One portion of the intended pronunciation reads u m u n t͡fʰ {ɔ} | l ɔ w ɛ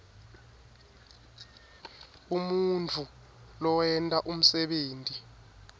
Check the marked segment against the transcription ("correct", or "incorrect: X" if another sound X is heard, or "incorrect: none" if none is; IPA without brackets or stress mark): incorrect: u